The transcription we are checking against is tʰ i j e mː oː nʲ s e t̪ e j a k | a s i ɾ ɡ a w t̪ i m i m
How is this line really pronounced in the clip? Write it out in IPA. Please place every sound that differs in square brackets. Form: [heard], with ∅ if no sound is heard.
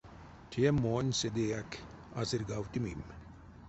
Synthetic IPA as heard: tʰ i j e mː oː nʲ s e [d̪] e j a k | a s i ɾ ɡ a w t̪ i m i m